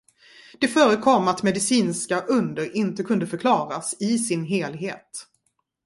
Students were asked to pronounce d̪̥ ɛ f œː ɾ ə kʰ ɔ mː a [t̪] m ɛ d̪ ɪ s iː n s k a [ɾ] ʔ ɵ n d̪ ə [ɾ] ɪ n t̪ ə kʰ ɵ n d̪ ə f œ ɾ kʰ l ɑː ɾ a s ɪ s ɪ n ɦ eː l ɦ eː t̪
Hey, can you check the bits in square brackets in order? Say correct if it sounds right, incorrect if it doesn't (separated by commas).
correct, incorrect, correct